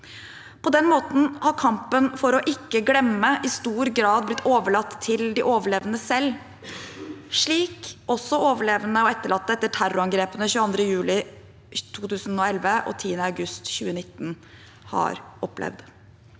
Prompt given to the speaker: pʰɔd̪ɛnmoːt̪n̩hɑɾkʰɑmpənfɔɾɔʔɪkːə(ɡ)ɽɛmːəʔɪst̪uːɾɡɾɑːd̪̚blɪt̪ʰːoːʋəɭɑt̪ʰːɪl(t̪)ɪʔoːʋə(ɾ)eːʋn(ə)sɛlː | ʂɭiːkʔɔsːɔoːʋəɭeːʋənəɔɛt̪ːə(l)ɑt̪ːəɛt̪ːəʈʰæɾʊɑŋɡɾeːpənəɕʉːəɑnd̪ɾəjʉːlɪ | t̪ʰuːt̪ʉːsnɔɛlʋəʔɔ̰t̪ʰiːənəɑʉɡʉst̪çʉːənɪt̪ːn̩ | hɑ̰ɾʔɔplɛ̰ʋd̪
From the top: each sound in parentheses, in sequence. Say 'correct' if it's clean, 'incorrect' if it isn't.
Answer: correct, incorrect: d̪, incorrect: ɭ, correct, incorrect: ɭ

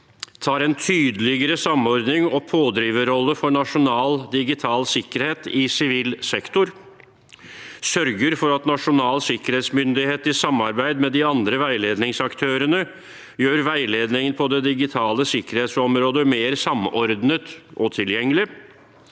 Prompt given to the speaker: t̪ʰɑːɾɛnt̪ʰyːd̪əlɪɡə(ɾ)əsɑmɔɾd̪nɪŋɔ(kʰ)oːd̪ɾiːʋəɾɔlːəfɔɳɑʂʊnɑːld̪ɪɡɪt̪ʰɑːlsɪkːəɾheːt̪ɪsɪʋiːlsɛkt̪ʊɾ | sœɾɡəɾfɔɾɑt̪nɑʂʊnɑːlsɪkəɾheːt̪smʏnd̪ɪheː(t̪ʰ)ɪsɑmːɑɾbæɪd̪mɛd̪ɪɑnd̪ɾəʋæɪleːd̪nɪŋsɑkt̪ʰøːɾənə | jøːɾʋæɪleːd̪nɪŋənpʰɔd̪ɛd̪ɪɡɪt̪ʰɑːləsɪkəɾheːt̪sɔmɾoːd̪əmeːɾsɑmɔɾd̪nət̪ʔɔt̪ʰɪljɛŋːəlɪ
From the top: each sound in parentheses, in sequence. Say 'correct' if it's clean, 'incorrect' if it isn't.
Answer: correct, incorrect: pʰ, incorrect: t̪

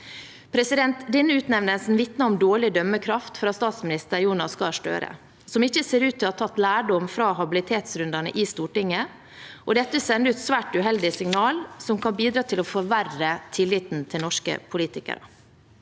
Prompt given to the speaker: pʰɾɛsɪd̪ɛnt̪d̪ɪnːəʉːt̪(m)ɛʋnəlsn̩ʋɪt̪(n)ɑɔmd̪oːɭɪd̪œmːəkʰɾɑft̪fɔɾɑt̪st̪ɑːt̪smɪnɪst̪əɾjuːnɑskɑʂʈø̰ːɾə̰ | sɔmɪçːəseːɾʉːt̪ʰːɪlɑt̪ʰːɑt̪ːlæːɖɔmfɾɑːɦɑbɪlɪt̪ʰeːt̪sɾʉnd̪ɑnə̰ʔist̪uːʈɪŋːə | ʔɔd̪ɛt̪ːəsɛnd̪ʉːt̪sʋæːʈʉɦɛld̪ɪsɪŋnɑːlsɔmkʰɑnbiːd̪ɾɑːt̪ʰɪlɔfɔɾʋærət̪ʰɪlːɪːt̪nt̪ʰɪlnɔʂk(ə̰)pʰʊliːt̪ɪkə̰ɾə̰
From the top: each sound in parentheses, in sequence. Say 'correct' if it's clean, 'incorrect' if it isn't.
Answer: incorrect: n, correct, correct

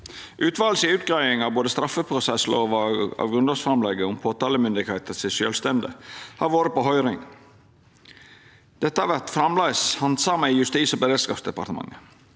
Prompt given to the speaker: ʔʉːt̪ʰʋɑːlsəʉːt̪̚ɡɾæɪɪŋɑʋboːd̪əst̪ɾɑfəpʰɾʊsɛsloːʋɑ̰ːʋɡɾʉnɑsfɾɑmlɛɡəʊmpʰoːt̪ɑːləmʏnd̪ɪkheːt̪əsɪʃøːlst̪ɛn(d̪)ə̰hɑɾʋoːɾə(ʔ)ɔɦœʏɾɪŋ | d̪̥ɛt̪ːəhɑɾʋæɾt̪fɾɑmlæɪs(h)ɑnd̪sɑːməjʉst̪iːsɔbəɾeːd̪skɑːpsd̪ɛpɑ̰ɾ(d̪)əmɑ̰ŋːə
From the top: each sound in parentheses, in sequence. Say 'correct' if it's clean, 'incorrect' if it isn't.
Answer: correct, incorrect: p, correct, incorrect: t̪

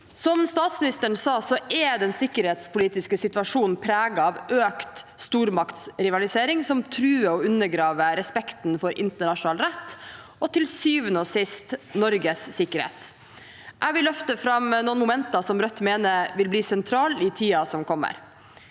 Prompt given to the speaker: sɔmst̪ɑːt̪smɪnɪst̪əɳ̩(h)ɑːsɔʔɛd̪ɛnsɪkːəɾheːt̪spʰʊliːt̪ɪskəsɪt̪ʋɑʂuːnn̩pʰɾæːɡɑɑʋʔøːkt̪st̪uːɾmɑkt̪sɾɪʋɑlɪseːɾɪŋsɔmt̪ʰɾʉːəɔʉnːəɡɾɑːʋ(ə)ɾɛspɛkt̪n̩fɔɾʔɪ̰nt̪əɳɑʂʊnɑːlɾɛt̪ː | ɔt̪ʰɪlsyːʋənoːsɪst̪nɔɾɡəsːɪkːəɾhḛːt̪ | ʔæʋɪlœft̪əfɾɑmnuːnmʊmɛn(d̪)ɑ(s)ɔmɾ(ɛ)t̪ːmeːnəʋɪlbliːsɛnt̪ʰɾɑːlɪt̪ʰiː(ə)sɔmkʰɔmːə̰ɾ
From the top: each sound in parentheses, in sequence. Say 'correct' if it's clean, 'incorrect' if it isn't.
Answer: incorrect: s, correct, incorrect: t̪, correct, incorrect: œ, incorrect: ɑ

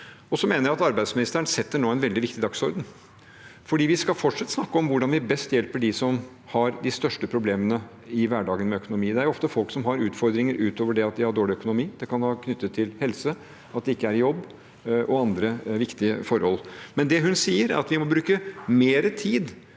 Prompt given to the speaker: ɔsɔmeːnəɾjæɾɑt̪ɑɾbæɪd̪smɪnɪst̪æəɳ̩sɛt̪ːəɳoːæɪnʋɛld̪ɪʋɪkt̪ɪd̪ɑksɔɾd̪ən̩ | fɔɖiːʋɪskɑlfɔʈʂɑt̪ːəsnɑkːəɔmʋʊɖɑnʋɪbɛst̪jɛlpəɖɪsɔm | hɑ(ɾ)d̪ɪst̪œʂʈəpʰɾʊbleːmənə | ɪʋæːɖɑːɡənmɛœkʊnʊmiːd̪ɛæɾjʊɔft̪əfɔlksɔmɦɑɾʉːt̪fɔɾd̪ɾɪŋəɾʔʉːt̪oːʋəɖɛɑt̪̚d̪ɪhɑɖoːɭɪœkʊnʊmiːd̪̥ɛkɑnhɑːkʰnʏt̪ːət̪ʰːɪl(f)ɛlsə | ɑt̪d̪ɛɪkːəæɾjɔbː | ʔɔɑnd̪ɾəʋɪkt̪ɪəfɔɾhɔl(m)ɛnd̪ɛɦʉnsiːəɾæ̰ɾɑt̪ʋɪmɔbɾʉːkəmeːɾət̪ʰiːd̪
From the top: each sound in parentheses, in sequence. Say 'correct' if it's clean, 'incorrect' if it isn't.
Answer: correct, incorrect: h, correct

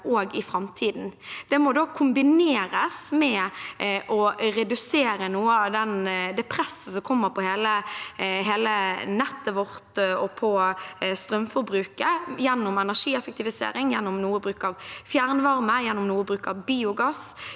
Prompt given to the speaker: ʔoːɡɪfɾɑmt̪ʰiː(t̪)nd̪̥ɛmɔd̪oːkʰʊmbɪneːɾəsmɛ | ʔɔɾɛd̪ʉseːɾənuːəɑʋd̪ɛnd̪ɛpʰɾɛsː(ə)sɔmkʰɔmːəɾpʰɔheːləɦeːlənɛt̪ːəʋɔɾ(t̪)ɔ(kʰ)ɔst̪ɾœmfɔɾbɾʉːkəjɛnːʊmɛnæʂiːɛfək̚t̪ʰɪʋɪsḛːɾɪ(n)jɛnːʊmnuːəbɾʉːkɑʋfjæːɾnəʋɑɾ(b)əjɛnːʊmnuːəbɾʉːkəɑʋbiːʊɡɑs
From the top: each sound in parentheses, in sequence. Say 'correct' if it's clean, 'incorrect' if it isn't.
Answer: incorrect: d̪, correct, correct, incorrect: pʰ, incorrect: ŋ, incorrect: m

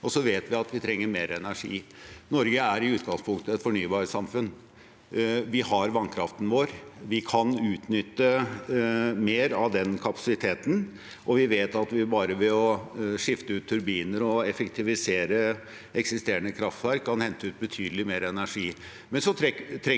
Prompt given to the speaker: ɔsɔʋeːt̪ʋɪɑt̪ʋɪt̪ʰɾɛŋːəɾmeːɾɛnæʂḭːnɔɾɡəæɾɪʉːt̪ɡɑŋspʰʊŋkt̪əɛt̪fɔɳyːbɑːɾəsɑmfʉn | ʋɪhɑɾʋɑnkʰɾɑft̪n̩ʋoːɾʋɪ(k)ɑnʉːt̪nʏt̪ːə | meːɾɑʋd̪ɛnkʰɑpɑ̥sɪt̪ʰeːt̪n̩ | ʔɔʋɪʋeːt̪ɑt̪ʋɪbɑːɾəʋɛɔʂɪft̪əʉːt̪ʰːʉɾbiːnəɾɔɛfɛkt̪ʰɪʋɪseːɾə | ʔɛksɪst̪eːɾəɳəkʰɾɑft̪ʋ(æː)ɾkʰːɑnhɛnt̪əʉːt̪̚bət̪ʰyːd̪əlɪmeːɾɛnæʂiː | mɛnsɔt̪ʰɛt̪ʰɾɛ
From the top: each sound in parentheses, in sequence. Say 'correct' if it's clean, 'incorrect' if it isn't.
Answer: incorrect: kʰ, incorrect: æ

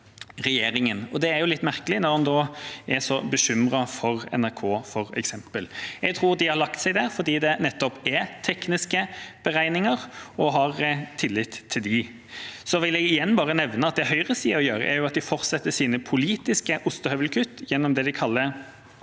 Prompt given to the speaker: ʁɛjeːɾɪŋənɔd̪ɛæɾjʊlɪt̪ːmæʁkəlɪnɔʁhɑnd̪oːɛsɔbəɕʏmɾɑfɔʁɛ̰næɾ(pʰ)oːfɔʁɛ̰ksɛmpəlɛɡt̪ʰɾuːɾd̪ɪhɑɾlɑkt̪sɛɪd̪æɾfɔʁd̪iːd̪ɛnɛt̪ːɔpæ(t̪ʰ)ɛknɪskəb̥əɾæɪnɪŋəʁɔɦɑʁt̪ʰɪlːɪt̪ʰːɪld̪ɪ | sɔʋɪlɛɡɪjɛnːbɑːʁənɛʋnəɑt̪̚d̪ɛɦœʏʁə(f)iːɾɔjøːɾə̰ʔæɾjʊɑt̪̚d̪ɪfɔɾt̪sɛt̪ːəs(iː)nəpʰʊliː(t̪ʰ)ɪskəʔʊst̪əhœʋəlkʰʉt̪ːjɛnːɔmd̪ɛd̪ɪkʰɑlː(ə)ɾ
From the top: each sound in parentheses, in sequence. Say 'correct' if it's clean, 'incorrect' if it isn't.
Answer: incorrect: kʰ, correct, incorrect: s, correct, incorrect: t̪, correct

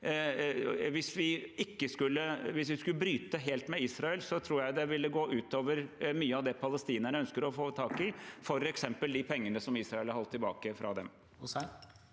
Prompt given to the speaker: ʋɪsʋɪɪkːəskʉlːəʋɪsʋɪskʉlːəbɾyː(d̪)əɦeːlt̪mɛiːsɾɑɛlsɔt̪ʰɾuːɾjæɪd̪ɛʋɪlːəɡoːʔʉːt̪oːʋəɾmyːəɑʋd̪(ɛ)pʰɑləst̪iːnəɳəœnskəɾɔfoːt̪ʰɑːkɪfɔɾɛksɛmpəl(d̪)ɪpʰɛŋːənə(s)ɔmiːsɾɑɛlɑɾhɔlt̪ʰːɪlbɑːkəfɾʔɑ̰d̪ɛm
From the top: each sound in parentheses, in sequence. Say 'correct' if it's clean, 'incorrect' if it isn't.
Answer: incorrect: t̪, correct, correct, correct

